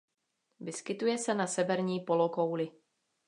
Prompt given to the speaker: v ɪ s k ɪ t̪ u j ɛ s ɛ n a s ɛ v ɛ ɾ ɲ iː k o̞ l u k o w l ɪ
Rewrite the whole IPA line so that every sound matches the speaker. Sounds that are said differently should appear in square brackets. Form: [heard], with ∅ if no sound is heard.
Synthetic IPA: v ɪ s k ɪ t̪ u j ɛ s ɛ n a s ɛ v ɛ ɾ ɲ iː [p] o̞ l [o] k o w l ɪ